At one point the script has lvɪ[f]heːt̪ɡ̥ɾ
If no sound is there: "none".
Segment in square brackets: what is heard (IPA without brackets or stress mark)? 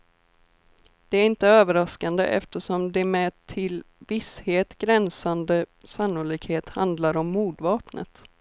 s